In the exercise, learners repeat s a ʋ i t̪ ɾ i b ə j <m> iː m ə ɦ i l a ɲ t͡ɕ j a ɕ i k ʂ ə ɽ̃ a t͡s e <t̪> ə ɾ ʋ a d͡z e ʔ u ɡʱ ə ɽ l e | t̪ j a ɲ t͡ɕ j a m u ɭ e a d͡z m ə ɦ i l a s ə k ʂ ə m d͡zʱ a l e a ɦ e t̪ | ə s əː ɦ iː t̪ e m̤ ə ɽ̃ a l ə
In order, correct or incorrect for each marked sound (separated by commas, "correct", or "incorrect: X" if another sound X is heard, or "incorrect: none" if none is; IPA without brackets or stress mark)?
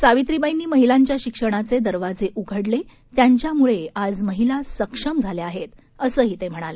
incorrect: n, incorrect: d̪